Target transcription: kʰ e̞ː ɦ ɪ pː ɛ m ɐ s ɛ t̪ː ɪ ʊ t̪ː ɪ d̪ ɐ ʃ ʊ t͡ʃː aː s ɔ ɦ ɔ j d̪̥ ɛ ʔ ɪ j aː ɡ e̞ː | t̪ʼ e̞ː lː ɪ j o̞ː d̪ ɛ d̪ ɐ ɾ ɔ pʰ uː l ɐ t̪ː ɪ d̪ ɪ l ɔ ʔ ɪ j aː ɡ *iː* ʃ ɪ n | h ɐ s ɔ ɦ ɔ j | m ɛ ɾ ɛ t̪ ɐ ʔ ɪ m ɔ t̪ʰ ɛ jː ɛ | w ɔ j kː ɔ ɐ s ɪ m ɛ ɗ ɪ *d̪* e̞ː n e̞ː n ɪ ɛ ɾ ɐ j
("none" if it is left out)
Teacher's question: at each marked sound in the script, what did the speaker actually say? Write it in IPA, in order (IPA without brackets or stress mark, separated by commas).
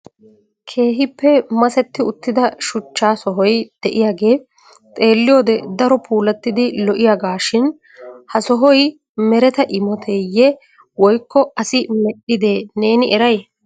aː, d̪